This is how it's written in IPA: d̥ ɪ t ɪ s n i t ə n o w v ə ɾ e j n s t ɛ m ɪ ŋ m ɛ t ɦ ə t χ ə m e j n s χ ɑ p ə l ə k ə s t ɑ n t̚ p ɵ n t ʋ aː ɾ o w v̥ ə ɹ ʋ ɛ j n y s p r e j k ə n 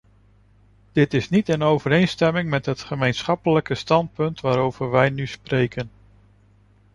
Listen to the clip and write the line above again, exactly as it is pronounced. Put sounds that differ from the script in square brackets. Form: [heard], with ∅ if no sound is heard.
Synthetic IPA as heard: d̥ ɪ t ɪ s n i t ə n o w v ə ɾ e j n s t ɛ m ɪ ŋ m ɛ t ɦ ə t χ ə m e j n s χ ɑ p ə l ə k ə s t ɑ n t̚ p ɵ n t ʋ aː ɾ o w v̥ ə ɹ ʋ ɛ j n y s p r e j k ə n